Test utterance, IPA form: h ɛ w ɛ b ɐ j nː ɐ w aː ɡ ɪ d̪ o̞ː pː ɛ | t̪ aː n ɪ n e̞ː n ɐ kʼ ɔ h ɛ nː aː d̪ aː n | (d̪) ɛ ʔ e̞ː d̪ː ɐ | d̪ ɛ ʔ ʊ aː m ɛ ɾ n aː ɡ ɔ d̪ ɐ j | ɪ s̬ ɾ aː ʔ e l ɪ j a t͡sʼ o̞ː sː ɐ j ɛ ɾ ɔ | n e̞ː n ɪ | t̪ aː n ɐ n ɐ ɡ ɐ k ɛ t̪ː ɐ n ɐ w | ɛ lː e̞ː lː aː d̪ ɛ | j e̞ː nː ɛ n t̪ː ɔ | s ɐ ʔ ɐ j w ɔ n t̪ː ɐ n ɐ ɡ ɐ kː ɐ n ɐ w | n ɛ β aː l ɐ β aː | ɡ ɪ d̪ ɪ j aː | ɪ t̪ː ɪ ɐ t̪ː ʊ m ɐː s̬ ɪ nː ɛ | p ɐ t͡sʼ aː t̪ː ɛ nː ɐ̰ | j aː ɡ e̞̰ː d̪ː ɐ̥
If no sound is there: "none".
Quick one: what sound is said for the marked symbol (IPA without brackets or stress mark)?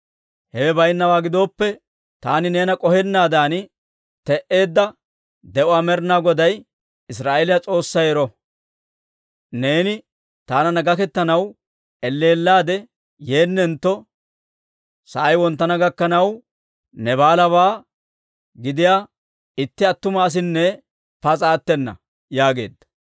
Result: t̪